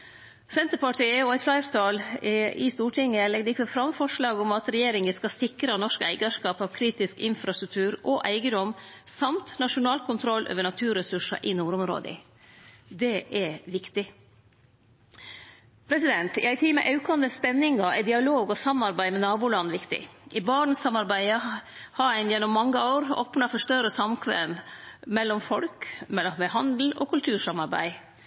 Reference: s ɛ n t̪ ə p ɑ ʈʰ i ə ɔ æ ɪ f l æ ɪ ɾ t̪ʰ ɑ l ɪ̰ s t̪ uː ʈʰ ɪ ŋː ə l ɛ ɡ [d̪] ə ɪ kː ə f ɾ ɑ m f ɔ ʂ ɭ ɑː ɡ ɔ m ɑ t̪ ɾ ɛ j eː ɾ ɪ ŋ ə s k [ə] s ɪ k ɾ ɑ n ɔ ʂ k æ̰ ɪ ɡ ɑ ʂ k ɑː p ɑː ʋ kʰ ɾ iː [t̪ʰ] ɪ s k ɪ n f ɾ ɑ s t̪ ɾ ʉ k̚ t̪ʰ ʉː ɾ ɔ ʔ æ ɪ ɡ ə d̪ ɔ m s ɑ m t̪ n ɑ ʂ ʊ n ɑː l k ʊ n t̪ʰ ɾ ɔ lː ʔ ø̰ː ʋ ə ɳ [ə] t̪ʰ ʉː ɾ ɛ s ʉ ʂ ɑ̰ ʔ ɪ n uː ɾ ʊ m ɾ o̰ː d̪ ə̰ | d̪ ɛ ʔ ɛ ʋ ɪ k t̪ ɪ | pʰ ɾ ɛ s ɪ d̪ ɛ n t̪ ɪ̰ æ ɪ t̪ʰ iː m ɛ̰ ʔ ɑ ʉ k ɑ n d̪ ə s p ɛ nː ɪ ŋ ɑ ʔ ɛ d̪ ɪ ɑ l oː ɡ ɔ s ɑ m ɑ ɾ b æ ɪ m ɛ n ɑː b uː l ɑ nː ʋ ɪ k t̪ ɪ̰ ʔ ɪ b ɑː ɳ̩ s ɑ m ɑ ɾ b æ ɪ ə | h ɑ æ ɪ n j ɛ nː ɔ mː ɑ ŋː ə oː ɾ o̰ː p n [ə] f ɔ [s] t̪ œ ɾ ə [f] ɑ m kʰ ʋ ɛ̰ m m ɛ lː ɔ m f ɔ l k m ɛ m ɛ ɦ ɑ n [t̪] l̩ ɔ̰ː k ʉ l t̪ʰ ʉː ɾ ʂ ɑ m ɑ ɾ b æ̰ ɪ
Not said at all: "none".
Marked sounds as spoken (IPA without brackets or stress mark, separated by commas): d̪, ɑ, t̪, ɑ, ɑ, ʂ, s, d̪